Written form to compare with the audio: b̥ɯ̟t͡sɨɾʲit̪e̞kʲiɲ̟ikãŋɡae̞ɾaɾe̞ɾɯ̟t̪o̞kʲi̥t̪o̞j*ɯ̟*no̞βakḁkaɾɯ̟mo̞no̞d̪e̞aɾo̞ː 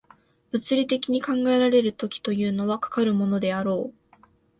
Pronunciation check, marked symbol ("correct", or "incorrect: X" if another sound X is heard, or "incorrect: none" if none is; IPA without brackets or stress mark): incorrect: ɯ̟ː